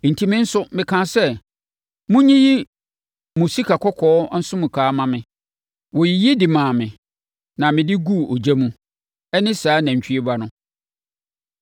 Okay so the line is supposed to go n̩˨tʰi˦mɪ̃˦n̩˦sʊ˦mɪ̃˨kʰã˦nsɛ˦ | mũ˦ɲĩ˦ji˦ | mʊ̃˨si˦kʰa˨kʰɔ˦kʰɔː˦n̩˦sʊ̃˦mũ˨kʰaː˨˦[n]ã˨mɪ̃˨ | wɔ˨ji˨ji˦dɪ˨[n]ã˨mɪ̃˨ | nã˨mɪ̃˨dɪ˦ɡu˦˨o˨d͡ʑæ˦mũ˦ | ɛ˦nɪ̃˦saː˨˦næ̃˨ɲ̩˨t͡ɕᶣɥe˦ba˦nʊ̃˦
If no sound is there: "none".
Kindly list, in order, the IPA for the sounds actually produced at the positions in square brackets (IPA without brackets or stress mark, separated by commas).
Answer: m, m